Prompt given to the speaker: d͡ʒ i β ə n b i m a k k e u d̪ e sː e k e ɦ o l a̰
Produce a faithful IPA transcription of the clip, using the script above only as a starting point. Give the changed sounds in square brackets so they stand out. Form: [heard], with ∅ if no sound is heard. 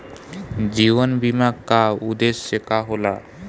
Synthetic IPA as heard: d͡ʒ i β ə n b i m a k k [a] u d̪ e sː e k [a] ɦ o l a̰